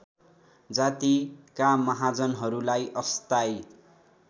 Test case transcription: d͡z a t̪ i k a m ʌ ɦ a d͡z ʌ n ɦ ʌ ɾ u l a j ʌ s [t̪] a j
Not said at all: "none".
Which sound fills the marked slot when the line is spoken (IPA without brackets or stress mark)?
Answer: t̪